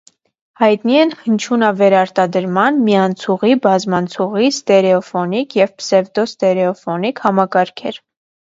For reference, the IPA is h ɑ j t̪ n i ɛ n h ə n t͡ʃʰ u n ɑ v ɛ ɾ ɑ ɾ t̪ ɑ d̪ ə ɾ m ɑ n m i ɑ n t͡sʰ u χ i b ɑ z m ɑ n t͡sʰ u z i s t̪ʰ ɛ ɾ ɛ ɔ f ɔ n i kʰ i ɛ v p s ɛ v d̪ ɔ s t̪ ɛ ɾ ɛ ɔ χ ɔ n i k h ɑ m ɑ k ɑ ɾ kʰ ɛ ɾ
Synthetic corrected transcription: h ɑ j t̪ n i ɛ n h ə n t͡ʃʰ u n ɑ v ɛ ɾ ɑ ɾ t̪ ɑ d̪ ə ɾ m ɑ n m i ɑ n t͡sʰ u ʁ i b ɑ z m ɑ n t͡sʰ u ʁ i s t̪ ɛ ɾ ɛ ɔ f ɔ n i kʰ j ɛ v p s ɛ v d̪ ɔ s t̪ ɛ ɾ ɛ ɔ f ɔ n i k h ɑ m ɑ k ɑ ɾ kʰ ɛ ɾ